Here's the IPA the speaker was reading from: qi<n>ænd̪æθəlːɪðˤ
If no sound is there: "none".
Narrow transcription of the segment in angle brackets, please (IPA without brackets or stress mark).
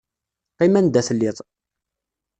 m